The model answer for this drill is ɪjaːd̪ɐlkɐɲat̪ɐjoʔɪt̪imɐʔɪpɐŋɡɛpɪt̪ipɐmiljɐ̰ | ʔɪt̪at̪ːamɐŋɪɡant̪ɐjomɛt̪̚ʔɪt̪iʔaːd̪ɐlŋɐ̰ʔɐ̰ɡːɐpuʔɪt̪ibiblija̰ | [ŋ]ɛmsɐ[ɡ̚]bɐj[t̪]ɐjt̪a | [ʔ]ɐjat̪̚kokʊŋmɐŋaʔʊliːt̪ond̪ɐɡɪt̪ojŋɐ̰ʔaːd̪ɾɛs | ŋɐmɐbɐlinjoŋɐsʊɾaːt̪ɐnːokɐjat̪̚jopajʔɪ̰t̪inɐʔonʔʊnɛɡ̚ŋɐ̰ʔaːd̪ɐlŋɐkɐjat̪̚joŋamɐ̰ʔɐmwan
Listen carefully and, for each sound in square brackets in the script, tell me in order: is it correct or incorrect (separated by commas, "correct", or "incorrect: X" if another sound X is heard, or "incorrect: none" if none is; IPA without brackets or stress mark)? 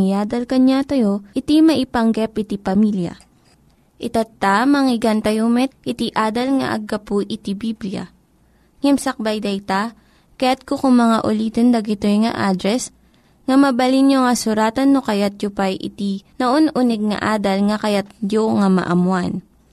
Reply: correct, incorrect: k̚, incorrect: d̪, incorrect: k